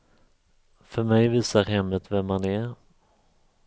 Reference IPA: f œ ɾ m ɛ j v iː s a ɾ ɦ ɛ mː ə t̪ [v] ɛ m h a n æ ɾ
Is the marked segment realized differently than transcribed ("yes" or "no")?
no